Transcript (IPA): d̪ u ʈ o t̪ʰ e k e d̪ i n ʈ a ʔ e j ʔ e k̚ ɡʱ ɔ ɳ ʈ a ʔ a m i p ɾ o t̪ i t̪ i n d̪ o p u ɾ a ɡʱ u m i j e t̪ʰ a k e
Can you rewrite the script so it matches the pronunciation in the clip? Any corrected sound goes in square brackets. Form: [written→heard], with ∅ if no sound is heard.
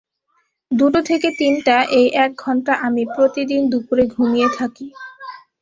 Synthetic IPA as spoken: d̪ u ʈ o t̪ʰ e k e [d̪→t̪] i n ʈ a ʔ e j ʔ [e→ɛ] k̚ ɡʱ ɔ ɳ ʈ a ʔ a m i p ɾ o t̪ i [t̪→d̪] i n d̪ [o→u] p u ɾ [a→e] ɡʱ u m i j e t̪ʰ a k [e→i]